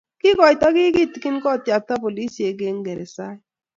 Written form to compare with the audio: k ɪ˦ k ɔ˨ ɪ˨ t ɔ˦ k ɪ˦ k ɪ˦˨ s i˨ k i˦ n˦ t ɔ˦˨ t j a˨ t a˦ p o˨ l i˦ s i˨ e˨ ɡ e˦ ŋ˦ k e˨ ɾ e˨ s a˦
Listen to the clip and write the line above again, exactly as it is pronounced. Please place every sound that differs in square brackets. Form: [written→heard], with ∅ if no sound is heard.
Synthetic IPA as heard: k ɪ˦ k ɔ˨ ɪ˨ t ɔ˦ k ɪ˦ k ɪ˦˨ [s→t] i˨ k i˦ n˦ [t→k] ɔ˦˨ t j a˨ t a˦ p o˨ l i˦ s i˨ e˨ ɡ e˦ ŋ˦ [k→ɡ] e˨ ɾ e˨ s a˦